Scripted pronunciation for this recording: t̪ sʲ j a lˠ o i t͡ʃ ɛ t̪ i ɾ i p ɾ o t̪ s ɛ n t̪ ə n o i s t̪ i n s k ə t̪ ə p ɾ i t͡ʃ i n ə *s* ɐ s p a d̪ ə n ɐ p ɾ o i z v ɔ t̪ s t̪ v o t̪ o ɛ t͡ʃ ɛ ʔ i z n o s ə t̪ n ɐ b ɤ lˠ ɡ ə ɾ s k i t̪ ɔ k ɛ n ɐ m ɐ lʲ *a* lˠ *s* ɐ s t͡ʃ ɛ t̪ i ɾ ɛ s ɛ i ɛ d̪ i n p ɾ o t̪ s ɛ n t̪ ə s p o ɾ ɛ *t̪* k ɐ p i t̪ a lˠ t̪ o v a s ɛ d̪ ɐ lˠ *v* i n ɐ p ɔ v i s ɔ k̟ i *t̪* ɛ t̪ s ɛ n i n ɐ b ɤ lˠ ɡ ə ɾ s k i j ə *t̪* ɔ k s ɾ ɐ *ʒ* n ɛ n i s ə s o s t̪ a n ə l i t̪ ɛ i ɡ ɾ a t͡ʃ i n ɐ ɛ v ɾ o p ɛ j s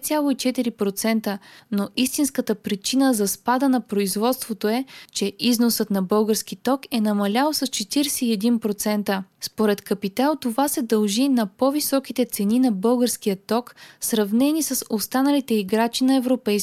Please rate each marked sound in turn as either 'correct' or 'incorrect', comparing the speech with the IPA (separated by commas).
incorrect, correct, correct, correct, incorrect, correct, correct, incorrect